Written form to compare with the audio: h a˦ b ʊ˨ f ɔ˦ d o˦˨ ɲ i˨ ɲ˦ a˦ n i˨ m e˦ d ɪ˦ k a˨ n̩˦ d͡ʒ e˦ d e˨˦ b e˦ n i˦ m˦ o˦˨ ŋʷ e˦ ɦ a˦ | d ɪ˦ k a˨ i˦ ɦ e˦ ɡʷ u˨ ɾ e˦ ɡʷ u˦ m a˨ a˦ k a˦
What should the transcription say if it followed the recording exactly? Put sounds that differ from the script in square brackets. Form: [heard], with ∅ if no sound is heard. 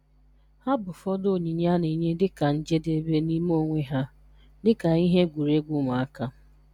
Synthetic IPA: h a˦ b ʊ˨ f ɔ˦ d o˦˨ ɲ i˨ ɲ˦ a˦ n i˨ [ɲ] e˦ d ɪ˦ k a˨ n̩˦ d͡ʒ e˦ d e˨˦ b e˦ n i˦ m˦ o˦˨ ŋʷ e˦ ɦ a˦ | d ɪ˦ k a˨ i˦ ɦ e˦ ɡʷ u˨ ɾ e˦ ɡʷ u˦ m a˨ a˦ k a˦